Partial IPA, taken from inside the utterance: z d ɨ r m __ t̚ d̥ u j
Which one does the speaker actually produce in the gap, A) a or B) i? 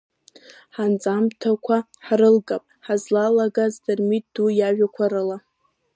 B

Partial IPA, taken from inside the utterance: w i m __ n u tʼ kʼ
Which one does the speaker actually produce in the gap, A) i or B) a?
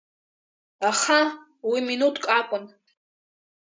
A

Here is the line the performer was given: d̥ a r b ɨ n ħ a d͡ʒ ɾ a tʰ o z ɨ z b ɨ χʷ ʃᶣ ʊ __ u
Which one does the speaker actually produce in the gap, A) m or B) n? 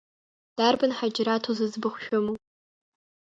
A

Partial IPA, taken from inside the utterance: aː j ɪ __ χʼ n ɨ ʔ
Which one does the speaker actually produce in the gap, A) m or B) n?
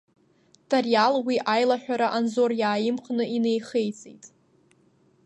A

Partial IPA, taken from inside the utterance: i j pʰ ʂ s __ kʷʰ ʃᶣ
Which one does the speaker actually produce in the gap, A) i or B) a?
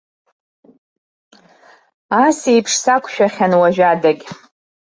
B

